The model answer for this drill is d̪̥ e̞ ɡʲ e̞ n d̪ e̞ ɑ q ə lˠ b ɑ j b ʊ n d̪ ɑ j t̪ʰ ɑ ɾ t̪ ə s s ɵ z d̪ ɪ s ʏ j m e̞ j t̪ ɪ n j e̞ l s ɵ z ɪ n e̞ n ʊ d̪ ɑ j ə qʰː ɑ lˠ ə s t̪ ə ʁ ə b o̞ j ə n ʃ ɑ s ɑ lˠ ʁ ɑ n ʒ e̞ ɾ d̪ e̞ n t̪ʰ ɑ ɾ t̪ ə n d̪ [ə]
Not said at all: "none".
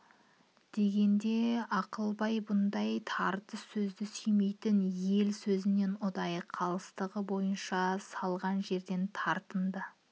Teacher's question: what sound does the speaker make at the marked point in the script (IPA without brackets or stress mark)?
ə